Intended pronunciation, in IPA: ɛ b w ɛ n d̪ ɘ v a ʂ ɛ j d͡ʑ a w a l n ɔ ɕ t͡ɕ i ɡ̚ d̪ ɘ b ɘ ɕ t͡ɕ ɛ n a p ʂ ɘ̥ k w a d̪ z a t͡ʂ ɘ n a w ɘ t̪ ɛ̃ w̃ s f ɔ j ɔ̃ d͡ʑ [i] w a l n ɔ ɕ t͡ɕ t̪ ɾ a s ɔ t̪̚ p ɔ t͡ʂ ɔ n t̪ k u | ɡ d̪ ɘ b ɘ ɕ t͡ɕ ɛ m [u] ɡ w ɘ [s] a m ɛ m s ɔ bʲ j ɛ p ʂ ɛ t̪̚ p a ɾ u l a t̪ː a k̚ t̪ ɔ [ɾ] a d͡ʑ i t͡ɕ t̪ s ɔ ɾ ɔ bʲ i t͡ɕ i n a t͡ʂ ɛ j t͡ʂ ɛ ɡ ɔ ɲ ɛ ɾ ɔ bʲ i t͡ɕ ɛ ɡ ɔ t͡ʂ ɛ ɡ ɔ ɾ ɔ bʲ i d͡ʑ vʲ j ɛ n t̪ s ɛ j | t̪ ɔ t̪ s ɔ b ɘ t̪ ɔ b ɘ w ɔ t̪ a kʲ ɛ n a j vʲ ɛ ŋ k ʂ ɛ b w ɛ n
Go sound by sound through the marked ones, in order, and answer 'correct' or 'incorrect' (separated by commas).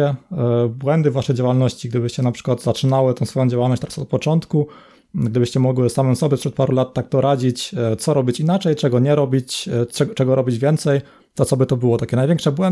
incorrect, incorrect, correct, correct